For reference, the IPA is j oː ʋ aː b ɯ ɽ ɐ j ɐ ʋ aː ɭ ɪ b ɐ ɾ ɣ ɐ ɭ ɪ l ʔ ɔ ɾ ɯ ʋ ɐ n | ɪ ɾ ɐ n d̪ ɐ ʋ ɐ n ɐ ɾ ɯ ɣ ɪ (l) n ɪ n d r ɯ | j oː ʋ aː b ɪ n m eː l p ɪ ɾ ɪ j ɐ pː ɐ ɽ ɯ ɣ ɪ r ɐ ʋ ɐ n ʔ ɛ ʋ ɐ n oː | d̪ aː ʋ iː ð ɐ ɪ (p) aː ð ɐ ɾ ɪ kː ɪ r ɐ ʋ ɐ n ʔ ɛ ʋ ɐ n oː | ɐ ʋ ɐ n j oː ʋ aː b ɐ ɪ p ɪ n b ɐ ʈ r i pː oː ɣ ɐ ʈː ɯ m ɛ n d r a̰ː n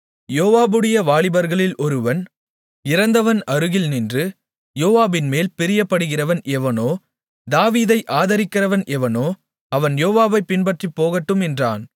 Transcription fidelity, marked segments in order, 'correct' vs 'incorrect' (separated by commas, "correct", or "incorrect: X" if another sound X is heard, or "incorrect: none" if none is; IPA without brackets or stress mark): correct, incorrect: ʔ